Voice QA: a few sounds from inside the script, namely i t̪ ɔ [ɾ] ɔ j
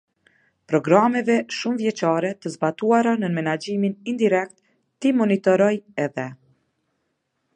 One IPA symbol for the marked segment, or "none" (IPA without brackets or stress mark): ɾ